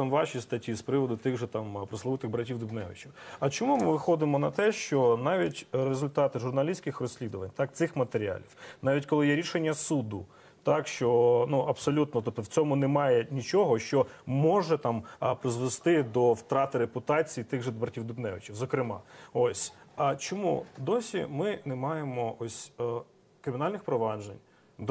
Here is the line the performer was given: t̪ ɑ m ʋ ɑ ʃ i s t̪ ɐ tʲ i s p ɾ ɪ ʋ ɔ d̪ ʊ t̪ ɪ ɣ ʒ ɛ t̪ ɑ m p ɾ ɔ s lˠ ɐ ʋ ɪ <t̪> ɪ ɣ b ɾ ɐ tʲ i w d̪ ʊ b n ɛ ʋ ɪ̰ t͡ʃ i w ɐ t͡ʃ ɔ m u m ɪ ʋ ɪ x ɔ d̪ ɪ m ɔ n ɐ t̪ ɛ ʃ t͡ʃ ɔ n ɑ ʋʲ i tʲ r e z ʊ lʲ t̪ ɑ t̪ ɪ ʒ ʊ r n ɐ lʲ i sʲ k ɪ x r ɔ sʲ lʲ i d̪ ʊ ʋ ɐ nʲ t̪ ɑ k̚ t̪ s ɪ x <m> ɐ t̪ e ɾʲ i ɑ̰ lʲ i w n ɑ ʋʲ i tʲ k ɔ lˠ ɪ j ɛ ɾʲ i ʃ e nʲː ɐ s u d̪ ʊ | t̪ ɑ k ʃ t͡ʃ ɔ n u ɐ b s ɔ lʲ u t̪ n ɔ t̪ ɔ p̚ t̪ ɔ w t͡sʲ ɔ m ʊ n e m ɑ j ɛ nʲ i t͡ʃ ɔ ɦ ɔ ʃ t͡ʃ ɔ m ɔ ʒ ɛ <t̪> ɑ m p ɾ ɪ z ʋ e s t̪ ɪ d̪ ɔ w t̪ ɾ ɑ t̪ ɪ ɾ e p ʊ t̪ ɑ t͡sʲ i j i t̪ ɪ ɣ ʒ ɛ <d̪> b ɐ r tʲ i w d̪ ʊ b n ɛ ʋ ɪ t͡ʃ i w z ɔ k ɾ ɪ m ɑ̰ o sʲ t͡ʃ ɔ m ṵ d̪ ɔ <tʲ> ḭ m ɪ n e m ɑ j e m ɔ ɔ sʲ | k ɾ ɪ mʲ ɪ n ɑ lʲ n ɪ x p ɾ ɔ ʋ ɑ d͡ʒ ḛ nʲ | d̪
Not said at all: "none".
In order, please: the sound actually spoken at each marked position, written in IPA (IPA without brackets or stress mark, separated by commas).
t̪, m, t̪, d̪, sʲ